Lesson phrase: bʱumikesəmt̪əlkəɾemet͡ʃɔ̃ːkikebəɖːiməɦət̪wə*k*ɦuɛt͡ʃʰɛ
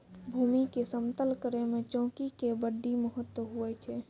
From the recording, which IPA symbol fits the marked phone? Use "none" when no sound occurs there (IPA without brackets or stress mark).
none